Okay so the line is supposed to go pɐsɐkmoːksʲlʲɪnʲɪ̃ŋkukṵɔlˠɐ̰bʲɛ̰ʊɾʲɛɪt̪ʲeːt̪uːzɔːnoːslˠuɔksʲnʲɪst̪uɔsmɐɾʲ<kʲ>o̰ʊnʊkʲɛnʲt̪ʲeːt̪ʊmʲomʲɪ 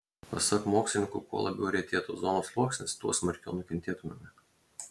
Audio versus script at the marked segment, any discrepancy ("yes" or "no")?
no